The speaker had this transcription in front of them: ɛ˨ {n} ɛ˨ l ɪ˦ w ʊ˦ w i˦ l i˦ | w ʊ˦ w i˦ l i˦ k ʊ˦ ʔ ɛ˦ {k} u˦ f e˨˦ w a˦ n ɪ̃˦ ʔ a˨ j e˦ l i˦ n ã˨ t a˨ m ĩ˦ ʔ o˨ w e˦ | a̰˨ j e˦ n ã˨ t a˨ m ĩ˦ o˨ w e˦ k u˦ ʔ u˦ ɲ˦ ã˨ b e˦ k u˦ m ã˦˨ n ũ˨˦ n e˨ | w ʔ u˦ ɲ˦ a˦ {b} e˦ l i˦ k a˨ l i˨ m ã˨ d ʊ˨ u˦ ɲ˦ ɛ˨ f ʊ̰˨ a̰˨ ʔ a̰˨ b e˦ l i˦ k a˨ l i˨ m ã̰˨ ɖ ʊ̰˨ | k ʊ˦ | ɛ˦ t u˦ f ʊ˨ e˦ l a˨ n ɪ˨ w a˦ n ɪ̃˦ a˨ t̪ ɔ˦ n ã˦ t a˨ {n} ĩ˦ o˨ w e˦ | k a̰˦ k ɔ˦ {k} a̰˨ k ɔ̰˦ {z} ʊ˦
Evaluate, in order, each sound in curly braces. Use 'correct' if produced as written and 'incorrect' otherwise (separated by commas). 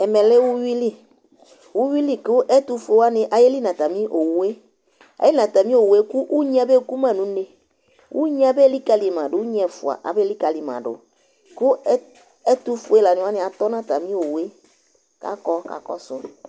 incorrect, incorrect, correct, incorrect, correct, incorrect